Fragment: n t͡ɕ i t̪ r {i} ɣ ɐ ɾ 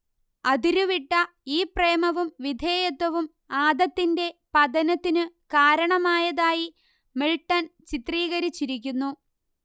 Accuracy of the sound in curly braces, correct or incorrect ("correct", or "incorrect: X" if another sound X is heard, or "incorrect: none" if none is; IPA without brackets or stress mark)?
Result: incorrect: iː